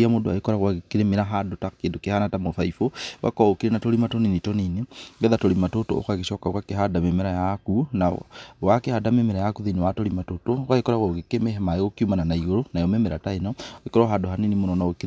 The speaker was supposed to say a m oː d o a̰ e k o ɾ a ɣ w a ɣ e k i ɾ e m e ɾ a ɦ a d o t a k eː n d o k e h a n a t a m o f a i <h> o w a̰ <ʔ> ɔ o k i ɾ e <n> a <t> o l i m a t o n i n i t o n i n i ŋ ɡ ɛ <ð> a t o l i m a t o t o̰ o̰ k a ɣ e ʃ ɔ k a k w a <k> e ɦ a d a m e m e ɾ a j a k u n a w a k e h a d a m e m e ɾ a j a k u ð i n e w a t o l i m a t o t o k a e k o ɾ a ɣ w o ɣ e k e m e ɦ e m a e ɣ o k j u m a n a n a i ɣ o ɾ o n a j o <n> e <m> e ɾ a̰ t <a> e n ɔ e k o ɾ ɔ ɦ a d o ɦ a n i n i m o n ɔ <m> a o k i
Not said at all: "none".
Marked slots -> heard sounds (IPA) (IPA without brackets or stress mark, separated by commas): f, k, n, t, ð, k, m, m, a, n